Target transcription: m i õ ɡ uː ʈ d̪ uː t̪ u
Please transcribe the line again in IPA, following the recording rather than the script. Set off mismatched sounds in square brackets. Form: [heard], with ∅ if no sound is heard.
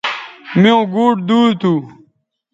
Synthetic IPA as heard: m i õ ɡ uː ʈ d̪ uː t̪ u